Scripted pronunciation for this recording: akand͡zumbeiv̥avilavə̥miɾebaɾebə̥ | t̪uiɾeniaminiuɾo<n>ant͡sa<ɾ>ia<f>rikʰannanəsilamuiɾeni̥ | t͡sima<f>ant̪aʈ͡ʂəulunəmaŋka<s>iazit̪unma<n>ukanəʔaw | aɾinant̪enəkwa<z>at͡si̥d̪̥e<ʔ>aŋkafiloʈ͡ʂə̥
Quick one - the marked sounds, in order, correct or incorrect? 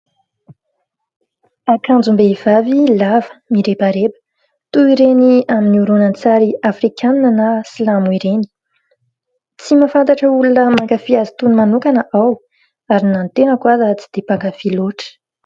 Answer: correct, correct, correct, correct, incorrect: f, correct, correct, incorrect: p

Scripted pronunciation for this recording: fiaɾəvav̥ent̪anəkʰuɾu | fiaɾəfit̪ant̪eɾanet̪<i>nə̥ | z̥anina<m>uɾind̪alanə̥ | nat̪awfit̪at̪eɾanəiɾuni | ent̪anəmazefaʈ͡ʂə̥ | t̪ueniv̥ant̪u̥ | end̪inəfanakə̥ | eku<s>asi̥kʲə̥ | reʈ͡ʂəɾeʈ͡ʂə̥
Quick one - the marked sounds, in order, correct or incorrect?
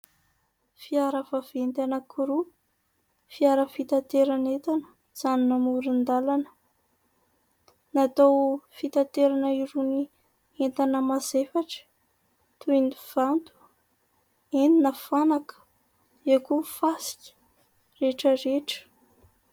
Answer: incorrect: a, correct, incorrect: f

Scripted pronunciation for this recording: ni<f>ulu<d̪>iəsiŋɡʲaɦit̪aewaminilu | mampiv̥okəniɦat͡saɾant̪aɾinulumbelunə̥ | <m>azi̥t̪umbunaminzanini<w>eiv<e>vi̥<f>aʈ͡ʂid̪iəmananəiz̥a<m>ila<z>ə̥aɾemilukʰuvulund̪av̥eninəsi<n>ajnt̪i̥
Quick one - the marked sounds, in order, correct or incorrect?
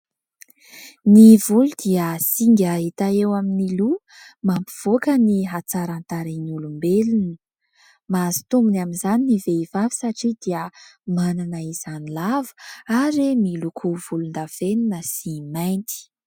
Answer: incorrect: v, correct, correct, incorrect: v, incorrect: a, incorrect: s, incorrect: n, incorrect: v, incorrect: m

